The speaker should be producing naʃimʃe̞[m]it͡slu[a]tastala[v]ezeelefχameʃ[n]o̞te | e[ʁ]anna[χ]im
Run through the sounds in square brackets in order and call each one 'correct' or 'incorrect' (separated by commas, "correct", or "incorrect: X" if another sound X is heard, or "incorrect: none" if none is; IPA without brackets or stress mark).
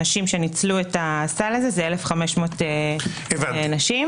incorrect: n, incorrect: e, incorrect: z, incorrect: m, incorrect: v, incorrect: ʃ